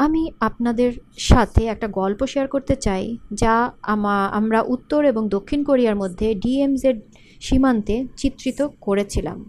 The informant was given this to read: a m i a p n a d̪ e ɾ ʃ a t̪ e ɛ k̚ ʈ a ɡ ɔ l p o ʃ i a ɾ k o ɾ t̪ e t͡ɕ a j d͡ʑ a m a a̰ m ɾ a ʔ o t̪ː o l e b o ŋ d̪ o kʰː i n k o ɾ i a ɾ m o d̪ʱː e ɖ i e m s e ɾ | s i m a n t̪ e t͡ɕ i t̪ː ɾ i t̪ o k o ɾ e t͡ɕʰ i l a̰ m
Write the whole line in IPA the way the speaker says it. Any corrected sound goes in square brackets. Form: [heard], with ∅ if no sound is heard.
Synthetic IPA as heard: a m i a p n a d̪ e ɾ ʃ a [t̪ʰ] e ɛ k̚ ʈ a ɡ ɔ l p o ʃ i a ɾ k o ɾ t̪ e t͡ɕ a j d͡ʑ a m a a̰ m ɾ a ʔ [u] t̪ː o [ɾ] e b o ŋ d̪ o kʰː i n k o ɾ i a ɾ m o d̪ʱː e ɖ i e m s e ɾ | [ʃ] i m a n t̪ e t͡ɕ i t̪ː ɾ i t̪ o k o ɾ e t͡ɕʰ i l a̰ m